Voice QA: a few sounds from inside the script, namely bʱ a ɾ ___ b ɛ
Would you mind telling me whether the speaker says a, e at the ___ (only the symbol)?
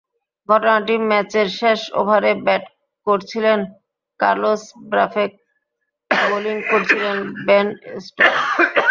e